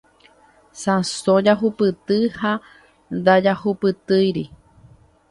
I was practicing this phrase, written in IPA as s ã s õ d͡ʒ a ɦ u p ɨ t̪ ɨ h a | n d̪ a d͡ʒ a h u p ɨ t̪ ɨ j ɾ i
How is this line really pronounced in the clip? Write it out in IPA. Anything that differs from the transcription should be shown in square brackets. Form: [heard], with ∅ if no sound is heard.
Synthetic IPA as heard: s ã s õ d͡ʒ a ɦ u p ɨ t̪ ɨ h a | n d̪ a d͡ʒ a h u p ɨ t̪ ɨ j ɾ i